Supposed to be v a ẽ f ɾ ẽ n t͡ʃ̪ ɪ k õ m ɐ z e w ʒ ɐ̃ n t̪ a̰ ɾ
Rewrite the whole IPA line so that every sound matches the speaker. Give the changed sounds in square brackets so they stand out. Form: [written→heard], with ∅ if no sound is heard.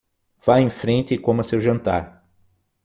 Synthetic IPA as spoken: v a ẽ f ɾ ẽ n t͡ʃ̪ ɪ k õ m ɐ [z→s] e w ʒ ɐ̃ n t̪ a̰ ɾ